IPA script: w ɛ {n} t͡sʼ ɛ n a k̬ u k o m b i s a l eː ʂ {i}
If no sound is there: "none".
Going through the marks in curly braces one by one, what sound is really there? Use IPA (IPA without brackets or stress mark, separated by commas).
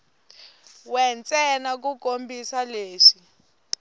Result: n, i